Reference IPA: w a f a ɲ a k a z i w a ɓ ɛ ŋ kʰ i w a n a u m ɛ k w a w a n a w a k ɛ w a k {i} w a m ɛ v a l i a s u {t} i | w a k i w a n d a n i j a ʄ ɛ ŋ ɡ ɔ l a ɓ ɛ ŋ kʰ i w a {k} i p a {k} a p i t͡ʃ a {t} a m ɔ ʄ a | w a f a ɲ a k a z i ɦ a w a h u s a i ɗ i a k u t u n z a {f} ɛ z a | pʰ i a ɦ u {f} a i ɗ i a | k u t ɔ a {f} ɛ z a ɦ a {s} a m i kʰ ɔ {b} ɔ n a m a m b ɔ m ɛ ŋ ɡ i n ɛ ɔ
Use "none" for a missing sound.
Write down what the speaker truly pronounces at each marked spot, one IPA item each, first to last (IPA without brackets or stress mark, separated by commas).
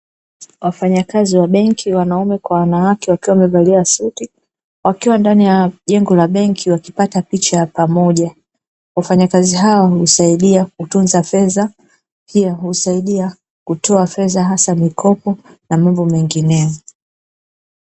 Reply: i, t, k, t, p, f, s, f, s, p